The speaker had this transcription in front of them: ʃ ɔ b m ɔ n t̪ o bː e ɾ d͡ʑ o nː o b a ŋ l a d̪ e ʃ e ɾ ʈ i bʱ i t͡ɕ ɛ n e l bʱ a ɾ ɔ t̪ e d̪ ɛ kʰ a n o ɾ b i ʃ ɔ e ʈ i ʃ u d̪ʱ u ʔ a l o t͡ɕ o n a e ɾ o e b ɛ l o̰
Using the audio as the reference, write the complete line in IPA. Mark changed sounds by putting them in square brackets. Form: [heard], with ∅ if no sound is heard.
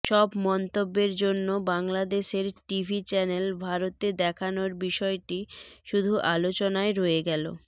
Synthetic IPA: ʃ ɔ b m ɔ n t̪ o bː e ɾ d͡ʑ o nː o b a ŋ l a d̪ e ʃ e ɾ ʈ i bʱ i t͡ɕ ɛ n e l bʱ a ɾ [o] t̪ e d̪ ɛ kʰ a n o ɾ b i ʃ ɔ e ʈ i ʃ u d̪ʱ u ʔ a l o t͡ɕ o n a e ɾ o e [ɡ] ɛ l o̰